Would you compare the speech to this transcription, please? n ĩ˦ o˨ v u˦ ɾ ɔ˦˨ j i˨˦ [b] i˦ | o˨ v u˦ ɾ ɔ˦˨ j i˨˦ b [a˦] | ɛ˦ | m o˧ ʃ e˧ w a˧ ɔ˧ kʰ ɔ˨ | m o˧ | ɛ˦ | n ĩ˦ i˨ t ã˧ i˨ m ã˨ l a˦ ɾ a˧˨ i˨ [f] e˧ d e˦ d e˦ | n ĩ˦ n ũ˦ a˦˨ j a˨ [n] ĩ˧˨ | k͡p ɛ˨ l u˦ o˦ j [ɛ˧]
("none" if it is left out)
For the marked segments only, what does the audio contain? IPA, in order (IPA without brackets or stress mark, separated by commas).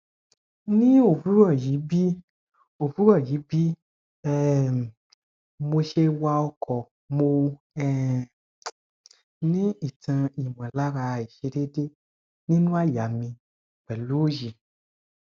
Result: b, i˦, ʃ, m, i˧